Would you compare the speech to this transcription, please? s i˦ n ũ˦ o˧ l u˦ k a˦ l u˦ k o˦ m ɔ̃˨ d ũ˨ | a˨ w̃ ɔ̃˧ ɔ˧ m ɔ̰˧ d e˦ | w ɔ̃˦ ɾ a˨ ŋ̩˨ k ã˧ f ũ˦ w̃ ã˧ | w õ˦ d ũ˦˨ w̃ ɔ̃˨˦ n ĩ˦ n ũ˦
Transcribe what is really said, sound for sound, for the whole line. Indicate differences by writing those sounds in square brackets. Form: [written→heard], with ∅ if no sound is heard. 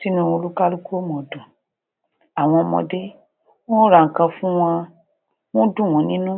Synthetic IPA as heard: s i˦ n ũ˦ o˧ l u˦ k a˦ l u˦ k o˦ m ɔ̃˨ d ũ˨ | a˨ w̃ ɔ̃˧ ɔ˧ m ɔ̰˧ d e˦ | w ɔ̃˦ ɾ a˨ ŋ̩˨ k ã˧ f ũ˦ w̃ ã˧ | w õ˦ d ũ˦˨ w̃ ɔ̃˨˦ n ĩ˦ n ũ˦

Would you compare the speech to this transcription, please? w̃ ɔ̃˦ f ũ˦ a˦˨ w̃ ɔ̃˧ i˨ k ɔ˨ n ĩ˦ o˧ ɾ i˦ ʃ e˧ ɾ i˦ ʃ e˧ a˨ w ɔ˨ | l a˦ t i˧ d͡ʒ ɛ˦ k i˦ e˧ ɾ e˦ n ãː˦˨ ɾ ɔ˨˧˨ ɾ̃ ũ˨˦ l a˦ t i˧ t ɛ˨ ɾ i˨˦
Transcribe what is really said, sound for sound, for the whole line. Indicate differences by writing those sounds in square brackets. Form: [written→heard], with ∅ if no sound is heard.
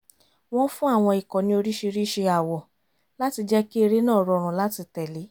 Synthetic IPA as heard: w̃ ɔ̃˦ f ũ˦ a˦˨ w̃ ɔ̃˧ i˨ k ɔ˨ n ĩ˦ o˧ ɾ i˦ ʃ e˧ ɾ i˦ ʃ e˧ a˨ w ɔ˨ | l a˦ t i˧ d͡ʒ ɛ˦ k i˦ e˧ ɾ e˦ n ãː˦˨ ɾ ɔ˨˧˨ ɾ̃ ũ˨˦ l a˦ t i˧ t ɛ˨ [ɾ→l] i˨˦

